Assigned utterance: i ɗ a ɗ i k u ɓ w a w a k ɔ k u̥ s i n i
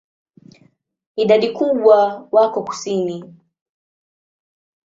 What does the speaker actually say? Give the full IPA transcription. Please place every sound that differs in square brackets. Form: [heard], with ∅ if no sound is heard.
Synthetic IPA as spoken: i ɗ a ɗ i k u ɓ w a w a k ɔ k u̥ s i n i